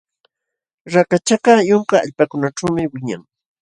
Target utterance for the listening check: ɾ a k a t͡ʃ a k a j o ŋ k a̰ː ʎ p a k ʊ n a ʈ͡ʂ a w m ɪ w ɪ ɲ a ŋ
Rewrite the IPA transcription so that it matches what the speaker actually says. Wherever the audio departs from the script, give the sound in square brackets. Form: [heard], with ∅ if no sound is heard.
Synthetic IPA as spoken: ɾ a k a t͡ʃ a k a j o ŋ k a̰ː ʎ p a k ʊ n a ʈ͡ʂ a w m ɪ w ɪ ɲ a ŋ